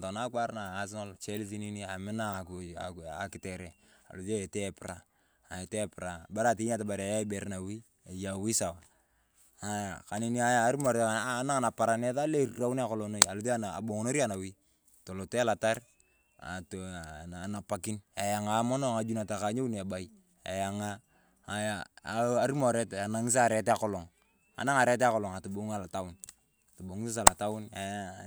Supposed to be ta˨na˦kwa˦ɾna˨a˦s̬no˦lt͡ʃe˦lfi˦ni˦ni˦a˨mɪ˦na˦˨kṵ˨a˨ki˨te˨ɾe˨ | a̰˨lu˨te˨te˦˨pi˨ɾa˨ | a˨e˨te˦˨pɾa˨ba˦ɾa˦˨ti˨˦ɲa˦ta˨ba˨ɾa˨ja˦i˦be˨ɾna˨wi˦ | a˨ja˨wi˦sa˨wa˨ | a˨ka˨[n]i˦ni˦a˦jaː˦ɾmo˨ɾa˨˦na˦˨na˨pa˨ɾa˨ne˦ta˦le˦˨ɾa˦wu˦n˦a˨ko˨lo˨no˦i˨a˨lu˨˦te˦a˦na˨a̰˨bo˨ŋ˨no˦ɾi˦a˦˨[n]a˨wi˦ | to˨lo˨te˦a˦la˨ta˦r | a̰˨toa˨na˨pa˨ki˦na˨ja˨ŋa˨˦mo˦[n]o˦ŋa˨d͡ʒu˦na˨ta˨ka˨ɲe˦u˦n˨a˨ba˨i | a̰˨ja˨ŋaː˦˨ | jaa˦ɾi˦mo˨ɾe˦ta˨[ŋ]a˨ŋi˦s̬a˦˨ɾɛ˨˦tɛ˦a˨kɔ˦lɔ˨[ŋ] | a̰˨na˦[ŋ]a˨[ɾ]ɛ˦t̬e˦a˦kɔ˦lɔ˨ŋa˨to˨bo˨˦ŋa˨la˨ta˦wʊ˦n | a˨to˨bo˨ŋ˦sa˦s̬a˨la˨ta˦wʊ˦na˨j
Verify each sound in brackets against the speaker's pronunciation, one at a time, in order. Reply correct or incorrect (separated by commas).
correct, correct, correct, incorrect, correct, correct, correct